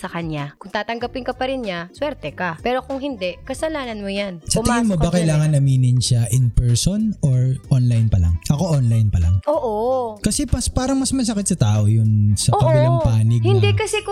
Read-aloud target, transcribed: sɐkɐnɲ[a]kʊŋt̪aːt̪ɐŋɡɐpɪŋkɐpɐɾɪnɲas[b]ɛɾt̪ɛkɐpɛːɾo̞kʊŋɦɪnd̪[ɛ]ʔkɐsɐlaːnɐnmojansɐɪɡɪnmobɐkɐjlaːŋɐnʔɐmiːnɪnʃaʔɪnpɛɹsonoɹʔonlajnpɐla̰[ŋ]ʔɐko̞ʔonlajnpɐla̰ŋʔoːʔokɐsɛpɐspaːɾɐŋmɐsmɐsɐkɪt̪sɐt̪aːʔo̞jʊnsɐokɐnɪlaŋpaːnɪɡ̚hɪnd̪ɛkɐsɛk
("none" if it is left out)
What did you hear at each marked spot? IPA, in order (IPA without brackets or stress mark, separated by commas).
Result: a, w, ɛ, ŋ